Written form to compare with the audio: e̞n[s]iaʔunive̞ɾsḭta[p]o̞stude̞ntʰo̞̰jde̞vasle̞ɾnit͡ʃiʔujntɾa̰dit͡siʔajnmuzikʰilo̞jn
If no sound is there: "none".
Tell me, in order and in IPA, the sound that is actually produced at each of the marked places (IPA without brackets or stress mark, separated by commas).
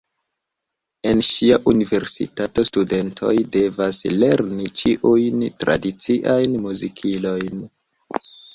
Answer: ʃ, t